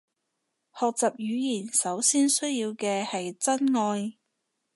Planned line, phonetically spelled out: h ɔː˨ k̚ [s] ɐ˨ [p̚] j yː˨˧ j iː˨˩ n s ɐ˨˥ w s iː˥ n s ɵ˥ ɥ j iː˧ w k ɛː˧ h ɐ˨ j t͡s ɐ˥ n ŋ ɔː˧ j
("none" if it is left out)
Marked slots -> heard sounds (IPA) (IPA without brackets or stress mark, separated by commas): t͡s, p̚